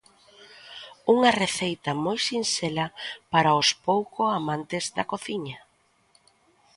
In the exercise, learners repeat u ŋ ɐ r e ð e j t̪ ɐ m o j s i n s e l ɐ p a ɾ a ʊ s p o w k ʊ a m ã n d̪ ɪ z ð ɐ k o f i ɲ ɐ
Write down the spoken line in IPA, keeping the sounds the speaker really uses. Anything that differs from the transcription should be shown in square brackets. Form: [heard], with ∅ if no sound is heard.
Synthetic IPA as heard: u ŋ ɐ r e [θ] e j t̪ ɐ m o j s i n s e l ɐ p a ɾ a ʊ s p o w k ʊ a m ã n [t̪] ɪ z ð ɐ k o [θ] i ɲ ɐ